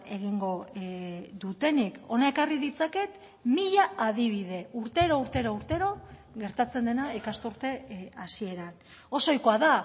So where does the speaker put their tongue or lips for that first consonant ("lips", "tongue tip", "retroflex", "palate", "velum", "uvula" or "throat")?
velum